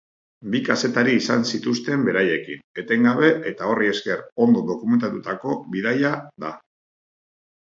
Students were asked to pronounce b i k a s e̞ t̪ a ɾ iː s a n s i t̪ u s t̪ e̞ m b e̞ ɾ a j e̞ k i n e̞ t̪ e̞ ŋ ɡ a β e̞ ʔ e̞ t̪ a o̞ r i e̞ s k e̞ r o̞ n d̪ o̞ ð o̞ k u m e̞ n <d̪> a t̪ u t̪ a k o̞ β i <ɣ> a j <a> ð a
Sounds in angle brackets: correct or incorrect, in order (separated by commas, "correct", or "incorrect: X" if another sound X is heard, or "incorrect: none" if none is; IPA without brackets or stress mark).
incorrect: t̪, incorrect: ð, correct